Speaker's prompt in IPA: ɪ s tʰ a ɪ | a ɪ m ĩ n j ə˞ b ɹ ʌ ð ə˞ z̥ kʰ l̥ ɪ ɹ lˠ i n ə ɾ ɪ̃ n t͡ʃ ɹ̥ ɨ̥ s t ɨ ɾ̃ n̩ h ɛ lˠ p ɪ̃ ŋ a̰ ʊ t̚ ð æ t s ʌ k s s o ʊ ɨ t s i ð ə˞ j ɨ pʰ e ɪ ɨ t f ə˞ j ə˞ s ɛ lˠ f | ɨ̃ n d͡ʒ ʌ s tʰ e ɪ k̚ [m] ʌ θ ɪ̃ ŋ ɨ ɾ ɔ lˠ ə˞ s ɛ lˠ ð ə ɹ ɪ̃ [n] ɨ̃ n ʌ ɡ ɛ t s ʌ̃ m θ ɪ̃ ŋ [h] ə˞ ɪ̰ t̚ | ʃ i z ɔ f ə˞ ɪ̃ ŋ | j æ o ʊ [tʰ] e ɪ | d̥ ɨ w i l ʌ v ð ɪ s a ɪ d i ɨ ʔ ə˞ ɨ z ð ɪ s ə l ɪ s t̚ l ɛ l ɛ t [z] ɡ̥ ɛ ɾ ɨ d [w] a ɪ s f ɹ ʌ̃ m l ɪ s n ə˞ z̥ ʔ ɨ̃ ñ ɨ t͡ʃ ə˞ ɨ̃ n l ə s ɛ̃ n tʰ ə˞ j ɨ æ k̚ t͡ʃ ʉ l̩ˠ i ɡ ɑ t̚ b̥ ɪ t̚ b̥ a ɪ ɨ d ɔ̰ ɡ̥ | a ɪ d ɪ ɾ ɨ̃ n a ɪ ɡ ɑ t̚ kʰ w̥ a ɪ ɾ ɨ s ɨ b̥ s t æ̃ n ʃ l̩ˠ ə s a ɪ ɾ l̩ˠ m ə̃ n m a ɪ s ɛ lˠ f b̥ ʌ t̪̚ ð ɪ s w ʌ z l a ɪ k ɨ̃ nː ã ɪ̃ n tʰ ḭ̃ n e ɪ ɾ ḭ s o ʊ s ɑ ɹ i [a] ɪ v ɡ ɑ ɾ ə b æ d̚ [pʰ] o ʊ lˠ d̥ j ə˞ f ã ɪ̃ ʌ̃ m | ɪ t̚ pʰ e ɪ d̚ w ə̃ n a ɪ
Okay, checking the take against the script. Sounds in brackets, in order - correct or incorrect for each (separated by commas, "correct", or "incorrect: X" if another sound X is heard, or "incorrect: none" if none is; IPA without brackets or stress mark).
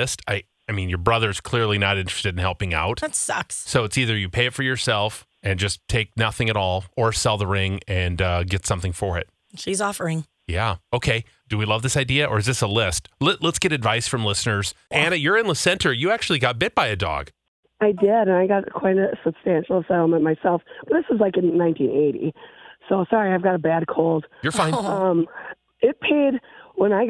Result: incorrect: n, incorrect: ŋ, incorrect: f, incorrect: kʰ, incorrect: s, incorrect: v, correct, incorrect: kʰ